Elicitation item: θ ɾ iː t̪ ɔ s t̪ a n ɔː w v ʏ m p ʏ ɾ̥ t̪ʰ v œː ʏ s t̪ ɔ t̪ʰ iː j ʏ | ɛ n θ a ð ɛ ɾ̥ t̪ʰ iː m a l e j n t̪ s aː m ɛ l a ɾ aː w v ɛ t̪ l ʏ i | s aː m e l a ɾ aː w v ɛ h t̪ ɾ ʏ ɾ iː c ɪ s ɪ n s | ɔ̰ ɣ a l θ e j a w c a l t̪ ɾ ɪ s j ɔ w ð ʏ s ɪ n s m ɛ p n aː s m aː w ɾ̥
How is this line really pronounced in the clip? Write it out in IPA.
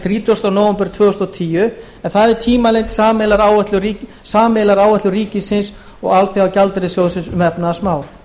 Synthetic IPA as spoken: θ ɾ iː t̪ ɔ s t̪ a n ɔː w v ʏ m p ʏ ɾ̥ t̪ʰ v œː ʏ s t̪ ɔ t̪ʰ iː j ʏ | ɛ n θ a ð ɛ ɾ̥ t̪ʰ iː m a l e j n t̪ s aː m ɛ l a ɾ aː w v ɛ t̪ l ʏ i | s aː m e l a ɾ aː w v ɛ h t̪ l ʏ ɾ iː c ɪ s ɪ n s | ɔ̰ ɣ a l θ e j a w c a l t̪ ɾ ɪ s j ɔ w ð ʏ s ɪ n s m ɛ p n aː s m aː w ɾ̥